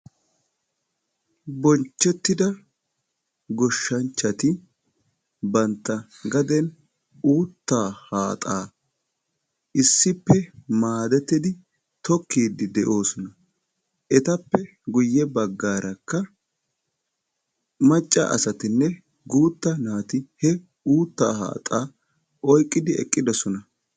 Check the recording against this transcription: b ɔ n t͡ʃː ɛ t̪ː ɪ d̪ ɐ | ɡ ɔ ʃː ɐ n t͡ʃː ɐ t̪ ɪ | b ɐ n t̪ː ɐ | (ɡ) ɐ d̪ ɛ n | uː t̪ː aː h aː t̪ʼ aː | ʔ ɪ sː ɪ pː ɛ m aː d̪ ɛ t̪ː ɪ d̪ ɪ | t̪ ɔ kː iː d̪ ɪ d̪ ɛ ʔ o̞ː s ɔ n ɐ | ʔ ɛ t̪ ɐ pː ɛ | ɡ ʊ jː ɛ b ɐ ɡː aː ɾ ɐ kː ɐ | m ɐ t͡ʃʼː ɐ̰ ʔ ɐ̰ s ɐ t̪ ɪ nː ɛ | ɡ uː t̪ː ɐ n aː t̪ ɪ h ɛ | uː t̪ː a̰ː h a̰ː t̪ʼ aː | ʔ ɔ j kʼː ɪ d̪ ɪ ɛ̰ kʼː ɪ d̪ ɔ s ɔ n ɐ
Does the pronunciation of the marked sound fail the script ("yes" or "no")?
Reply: no